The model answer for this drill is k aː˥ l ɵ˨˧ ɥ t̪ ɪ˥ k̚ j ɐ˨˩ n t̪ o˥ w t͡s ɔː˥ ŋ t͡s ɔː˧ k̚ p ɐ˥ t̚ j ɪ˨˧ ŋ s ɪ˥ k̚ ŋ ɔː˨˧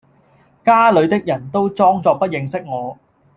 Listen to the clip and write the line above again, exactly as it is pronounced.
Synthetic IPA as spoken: k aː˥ l ɵ˨˧ ɥ t̪ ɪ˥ k̚ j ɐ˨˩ n t̪ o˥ w t͡s ɔː˥ ŋ t͡s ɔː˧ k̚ p ɐ˥ t̚ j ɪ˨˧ ŋ s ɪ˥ k̚ ŋ ɔː˨˧